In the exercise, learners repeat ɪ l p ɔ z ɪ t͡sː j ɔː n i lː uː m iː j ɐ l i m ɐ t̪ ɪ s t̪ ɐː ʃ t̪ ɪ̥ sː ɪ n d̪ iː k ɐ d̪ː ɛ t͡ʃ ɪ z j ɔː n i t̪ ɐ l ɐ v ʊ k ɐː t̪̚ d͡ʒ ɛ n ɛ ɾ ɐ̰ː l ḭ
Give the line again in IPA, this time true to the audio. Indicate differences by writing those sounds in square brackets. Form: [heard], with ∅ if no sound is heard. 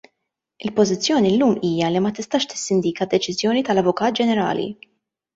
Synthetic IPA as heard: ɪ l p ɔ z ɪ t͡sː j ɔː n i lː uː m iː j ɐ l i m ɐ t̪ ɪ s t̪ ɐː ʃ t̪ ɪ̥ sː ɪ n d̪ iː k ɐ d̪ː ɛ t͡ʃ ɪ z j ɔː n i t̪ ɐ l ɐ v ʊ k ɐː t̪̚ d͡ʒ ɛ n ɛ ɾ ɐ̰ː l ḭ